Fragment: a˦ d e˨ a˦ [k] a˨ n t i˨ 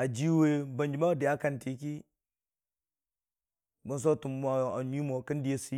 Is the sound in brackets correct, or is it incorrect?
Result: correct